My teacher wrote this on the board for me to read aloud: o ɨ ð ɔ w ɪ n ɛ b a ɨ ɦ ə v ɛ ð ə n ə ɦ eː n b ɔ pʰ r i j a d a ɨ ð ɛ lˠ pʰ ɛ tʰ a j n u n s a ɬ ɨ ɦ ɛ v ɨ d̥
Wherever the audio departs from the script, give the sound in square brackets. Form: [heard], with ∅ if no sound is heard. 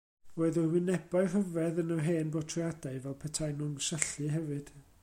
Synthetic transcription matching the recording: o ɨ ð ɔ w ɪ n ɛ b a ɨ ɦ ə v ɛ ð ə n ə ɦ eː n b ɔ [tʰ] r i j a d a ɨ [v] ɛ lˠ pʰ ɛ tʰ a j n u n s [ə] ɬ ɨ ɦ ɛ v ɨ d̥